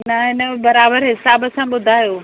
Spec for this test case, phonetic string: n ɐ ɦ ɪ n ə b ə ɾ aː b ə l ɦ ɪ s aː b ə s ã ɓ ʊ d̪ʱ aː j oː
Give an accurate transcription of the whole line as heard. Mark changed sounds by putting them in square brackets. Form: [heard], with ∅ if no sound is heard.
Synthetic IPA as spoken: n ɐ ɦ ɪ n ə b [ɐ] ɾ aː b ə [ɾ] ɦ ɪ s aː b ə s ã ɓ ʊ d̪ʱ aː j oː